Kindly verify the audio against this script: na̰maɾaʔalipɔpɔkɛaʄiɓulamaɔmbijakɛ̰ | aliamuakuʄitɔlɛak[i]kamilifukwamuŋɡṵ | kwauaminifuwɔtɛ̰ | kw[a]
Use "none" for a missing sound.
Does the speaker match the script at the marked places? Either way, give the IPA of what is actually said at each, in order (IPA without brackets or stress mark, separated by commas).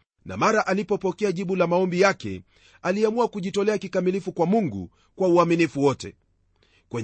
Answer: i, ɛ